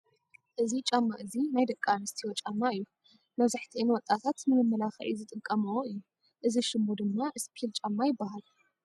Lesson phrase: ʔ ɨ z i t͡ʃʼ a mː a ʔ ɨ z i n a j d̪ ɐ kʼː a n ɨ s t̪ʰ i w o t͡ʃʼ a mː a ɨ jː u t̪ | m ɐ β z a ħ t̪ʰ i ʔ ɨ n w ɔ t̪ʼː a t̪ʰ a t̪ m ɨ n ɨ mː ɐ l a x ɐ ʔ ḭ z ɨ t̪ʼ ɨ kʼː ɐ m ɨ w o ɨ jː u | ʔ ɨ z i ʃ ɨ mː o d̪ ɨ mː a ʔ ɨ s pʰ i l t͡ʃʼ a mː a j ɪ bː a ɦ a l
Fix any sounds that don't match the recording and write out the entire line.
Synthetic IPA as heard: ʔ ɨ z i t͡ʃʼ a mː a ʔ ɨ z i n a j d̪ ɐ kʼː a n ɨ s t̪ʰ i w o t͡ʃʼ a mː a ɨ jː u | m ɐ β z a ħ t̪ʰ i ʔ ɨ n w ɔ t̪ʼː a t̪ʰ a t̪ m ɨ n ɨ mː ɐ l a x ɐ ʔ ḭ z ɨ t̪ʼ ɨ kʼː ɐ m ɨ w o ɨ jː u | ʔ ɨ z i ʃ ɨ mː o d̪ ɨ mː a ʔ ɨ s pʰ i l t͡ʃʼ a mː a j ɪ bː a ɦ a l

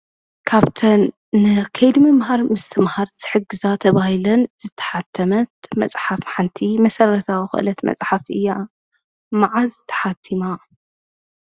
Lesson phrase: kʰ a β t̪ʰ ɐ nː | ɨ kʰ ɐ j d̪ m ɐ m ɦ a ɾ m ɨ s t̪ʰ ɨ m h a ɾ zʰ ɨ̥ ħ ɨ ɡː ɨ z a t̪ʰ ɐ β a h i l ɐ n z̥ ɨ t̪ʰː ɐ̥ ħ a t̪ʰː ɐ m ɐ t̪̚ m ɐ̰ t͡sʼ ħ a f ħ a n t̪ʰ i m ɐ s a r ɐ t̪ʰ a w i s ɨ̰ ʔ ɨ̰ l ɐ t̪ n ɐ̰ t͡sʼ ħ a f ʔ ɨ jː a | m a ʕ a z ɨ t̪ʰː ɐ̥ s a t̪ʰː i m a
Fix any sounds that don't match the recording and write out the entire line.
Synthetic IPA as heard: kʰ a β t̪ʰ ɐ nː | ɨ kʰ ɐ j d̪ m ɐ m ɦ a ɾ m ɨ s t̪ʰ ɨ m h a ɾ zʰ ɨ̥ ħ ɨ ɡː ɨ z a t̪ʰ ɐ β a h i l ɐ n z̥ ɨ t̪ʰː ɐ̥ ħ a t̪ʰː ɐ m ɐ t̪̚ m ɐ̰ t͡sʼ ħ a f ħ a n t̪ʰ i m ɐ s ɐ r ɐ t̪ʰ a w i x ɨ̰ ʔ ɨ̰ l ɐ t̪ m ɐ̰ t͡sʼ ħ a f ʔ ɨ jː a | m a ʕ a z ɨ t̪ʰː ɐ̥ ħ a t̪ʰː i m a

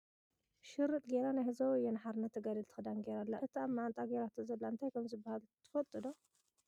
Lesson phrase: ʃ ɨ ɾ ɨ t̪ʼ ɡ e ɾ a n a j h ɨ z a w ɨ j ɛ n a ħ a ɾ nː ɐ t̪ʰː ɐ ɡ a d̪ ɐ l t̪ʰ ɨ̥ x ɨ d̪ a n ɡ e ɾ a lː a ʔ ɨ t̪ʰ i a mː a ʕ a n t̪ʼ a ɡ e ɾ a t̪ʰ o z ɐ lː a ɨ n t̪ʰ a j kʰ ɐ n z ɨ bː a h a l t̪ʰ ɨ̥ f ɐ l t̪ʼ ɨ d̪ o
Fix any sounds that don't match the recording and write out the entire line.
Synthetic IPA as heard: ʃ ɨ ɾ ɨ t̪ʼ ɡ e ɾ a n a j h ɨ z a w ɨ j ɛ n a ħ a ɾ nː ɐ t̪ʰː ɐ ɡ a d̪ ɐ l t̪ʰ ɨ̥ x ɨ d̪ a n ɡ e ɾ a lː a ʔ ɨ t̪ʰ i a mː a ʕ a n t̪ʼ a ɡ e ɾ a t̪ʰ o z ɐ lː a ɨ n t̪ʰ a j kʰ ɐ m z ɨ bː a h a l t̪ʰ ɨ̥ f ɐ l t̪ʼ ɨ d̪ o

